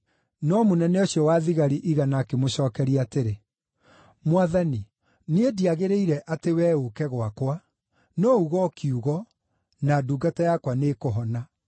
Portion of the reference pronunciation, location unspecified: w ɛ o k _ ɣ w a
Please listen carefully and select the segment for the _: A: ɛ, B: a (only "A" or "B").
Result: A